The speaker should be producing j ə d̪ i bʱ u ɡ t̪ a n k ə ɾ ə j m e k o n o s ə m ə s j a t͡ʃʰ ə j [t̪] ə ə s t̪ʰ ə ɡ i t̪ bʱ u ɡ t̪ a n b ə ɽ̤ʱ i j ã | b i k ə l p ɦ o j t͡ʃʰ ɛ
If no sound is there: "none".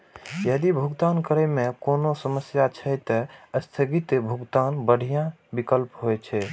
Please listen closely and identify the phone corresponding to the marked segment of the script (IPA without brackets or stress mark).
t̪